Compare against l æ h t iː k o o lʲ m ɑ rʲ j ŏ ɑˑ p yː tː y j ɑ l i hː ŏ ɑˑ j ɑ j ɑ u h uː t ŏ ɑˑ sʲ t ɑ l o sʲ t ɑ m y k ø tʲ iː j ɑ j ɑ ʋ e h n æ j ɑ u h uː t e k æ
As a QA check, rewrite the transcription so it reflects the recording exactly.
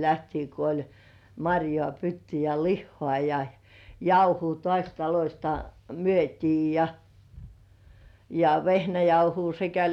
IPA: l æ h t iː k o o lʲ m ɑ rʲ j ŏ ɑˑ p y tː y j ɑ l i hː ŏ ɑˑ j ɑ j ɑ u h uː t ŏ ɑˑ sʲ t ɑ l o sʲ t ɑ m y ø tʲ iː j ɑ j ɑ ʋ e h n æ j ɑ u h uː s e k æ

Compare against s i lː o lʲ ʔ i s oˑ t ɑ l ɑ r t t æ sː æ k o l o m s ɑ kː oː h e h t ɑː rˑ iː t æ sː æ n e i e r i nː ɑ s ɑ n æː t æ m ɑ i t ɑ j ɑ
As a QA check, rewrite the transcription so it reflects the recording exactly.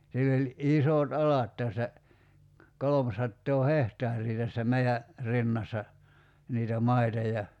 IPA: s i lː o lʲ ʔ i s oˑ t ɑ l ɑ t t æ sː æ k o l o m s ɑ tː oː h e h t ɑː rˑ iː t æ sː æ m e i æ r i nː ɑ sː ɑ n iː t æ m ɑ i t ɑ j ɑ

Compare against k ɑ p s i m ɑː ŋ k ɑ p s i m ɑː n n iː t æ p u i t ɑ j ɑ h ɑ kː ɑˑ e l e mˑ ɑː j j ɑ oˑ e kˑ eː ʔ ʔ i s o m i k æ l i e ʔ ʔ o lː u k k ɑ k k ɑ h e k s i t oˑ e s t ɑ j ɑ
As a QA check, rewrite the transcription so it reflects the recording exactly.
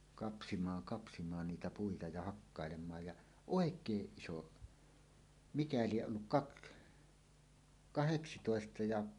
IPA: k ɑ p s i m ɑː ŋ k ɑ p s i m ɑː n n iː t æ p u i t ɑ j ɑ h ɑ kː ɑˑ e l e mˑ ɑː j j ɑ oˑ e kˑ eː ʔ ʔ i s o m i k æ l i e ʔ ʔ o lː u k k ɑ k k ɑ h e k s i t oˑ e s t ɑ j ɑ

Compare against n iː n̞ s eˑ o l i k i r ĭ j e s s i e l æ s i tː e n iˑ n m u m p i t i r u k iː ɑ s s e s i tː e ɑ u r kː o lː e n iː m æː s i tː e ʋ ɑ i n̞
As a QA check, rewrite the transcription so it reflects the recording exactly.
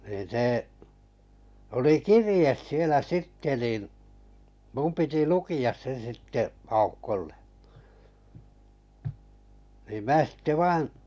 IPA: n iː n̞ s eˑ o l i k i r ĭ j e s s i e l æ s i tː e n iˑ n m u m p i t i l u k i ɑ s s e s i tː e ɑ u kː o lː e n iː m æː s i tː e ʋ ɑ i n̞

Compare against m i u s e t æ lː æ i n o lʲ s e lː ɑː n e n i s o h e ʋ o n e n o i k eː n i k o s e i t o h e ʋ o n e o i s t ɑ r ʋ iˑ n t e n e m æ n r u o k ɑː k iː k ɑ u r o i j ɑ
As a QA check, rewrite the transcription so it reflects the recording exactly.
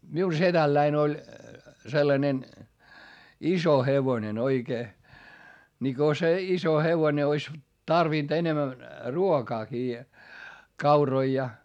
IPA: m i u s e t æ lː æ i n o lʲ s e lː ɑ n e n i s o h e ʋ o n e n o i k eː n i k o s e i s o h e ʋ o n e o i s t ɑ r ʋ iˑ n t e n e m æ n r u o k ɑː k iː k ɑ u r o i j ɑ

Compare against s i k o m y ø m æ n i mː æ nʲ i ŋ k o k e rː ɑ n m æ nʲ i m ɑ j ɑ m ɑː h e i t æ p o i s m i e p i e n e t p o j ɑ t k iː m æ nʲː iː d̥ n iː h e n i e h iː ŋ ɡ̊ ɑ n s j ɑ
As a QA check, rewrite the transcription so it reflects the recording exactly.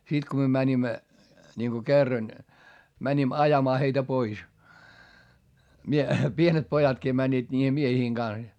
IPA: s i k o m y ø m æ n i mː æ nʲ i ŋ k o k e rː ɑ n m æ nʲ i m ɑ j ɑ m ɑː h e i t æ p o i s m i e p i e n e t p o j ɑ t k iː m æ nʲː iː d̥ n iː h e m i e h iː ŋ ɡ̊ ɑ n s j ɑ

